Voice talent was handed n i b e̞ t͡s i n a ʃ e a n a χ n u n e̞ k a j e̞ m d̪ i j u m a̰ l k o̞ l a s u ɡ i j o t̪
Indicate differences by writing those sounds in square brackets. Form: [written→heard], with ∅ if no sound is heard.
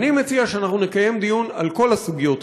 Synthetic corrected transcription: n i [b→m] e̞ t͡s i [n→∅] a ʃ e a n a χ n u n e̞ k a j e̞ m d̪ i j u [m→n] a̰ l k o̞ l a s u ɡ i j o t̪